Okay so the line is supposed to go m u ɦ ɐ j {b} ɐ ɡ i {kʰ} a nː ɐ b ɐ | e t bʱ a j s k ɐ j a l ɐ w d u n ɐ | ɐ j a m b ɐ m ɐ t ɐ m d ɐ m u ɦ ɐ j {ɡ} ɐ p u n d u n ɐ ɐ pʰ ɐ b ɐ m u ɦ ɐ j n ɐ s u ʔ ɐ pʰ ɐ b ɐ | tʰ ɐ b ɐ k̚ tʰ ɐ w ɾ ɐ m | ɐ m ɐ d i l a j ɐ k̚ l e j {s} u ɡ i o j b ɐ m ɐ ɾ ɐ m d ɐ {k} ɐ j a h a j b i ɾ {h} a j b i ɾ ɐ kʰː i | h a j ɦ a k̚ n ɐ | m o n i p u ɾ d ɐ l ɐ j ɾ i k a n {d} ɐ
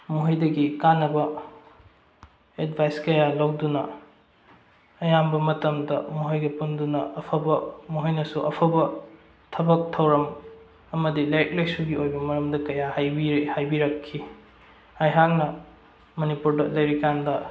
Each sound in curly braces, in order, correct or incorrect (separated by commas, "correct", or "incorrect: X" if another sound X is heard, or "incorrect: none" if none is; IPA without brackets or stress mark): incorrect: d, incorrect: k, correct, correct, correct, correct, correct